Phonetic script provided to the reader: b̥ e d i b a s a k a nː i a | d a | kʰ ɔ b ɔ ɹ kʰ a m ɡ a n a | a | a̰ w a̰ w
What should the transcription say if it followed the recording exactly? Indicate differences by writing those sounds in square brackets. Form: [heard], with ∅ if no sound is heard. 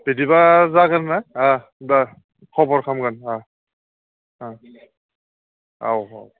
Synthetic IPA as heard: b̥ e d i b a [z] a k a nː [a] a | d a | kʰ ɔ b ɔ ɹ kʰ a m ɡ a n a | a | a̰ w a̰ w